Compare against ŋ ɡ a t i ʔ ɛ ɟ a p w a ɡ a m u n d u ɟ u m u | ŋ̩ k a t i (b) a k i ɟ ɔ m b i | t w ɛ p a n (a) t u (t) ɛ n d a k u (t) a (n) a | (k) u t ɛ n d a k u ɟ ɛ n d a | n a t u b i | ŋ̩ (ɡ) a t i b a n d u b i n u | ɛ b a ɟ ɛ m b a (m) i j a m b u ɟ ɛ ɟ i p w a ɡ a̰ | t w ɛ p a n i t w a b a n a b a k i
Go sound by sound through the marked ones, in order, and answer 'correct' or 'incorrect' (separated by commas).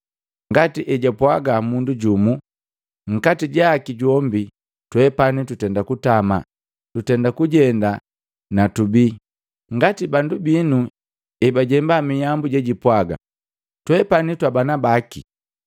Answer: incorrect, incorrect, correct, correct, incorrect, incorrect, correct, correct